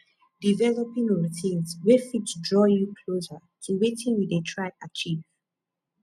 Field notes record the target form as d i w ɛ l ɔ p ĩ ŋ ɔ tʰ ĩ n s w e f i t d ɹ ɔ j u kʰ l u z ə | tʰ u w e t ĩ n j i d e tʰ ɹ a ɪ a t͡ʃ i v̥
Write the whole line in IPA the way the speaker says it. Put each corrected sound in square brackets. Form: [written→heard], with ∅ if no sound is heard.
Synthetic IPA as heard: d i [w→v] ɛ l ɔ p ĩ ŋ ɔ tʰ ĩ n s w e f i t d ɹ ɔ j u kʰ l [u→o] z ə | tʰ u w e t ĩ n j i d e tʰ ɹ a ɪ a t͡ʃ i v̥